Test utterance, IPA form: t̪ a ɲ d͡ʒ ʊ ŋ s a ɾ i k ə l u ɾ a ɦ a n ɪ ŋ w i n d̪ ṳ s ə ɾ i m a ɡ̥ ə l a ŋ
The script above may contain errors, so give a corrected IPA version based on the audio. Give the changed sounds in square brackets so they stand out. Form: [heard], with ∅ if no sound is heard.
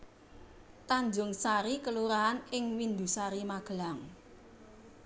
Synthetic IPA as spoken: t̪ a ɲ d͡ʒ ʊ ŋ s a ɾ i k ə l u ɾ a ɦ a n ɪ ŋ w i n d̪ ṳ s [a] ɾ i m a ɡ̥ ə l a ŋ